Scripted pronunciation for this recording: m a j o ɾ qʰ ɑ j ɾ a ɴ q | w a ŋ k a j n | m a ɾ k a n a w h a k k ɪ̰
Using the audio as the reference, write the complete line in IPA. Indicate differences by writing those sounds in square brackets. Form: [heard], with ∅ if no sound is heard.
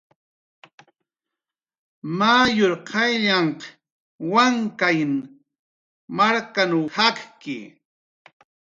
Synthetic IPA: m a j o ɾ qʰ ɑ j [ʎ] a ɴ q | w a ŋ k a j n | m a ɾ k a n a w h a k k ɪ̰